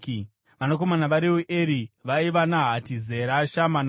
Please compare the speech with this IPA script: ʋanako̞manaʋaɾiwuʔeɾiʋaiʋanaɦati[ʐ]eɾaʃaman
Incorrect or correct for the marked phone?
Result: incorrect: z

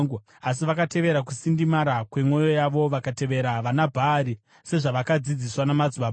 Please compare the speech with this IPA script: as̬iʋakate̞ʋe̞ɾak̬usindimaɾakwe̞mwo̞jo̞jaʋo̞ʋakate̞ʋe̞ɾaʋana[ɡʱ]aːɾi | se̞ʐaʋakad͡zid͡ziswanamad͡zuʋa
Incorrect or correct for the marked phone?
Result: incorrect: bʱ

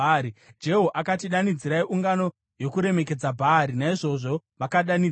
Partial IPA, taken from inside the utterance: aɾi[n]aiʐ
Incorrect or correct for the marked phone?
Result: correct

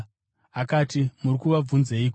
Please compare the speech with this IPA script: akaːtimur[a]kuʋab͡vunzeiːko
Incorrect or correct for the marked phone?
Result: incorrect: i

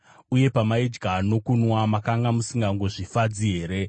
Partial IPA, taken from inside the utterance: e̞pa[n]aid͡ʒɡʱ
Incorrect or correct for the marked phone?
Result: incorrect: m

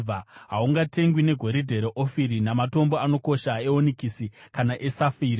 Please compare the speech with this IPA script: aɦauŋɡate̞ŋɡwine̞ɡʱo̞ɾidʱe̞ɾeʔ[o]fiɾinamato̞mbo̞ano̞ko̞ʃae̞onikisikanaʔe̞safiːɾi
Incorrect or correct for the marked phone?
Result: correct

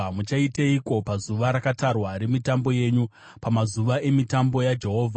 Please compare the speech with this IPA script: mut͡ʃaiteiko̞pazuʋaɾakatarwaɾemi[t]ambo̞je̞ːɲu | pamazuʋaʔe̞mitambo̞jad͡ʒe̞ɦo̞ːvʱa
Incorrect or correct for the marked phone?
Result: correct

